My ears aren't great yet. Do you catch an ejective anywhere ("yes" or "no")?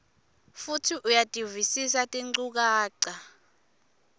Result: yes